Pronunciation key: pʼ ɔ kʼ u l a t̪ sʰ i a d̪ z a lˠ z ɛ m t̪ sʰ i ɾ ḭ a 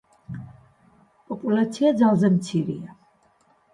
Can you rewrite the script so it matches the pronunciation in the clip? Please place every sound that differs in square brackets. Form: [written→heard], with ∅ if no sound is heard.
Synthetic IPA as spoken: pʼ ɔ [kʼ→pʼ] u l a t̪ sʰ i a d̪ z a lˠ z ɛ m t̪ sʰ i ɾ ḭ a